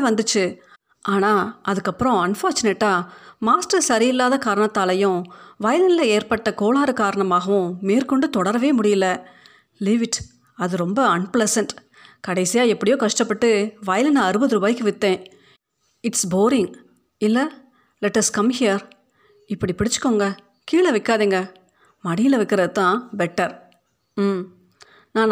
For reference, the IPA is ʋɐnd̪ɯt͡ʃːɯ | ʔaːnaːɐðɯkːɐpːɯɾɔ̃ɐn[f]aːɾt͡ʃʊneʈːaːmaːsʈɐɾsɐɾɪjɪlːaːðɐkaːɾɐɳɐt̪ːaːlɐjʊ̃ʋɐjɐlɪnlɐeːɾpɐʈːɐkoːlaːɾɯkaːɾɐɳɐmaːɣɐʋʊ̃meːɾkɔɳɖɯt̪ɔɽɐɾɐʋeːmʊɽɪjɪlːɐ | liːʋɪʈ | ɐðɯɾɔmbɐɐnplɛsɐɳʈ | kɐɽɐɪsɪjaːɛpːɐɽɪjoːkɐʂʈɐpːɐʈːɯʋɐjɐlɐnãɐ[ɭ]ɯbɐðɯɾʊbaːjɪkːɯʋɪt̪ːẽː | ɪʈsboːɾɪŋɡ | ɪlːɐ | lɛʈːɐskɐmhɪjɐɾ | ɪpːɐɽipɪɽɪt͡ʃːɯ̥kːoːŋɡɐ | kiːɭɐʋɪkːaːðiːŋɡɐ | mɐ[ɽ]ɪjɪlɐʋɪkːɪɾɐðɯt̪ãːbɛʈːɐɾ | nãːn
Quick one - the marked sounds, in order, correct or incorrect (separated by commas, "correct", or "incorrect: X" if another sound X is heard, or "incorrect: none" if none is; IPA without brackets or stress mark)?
correct, incorrect: ɾ, correct